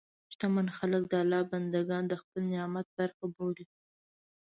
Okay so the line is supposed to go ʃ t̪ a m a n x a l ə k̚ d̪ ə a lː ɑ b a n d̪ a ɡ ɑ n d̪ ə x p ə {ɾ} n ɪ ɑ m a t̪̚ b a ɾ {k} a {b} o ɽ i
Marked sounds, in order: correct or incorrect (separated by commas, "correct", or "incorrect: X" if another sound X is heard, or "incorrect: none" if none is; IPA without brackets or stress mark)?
incorrect: l, incorrect: x, correct